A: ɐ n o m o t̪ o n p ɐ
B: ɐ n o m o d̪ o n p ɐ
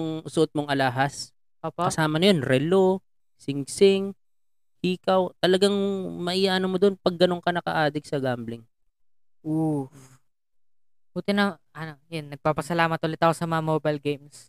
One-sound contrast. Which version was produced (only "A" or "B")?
B